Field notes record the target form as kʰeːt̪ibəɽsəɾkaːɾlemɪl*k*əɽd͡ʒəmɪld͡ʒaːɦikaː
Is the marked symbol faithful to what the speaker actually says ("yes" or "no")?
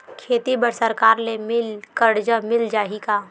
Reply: yes